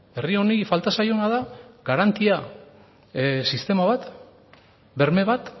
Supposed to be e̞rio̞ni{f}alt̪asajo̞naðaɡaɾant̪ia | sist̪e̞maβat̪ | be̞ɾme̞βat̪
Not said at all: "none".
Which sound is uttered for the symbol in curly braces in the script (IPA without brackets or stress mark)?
f